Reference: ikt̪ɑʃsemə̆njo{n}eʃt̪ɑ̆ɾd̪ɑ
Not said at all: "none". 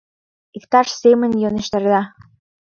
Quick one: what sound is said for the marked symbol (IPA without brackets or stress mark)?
n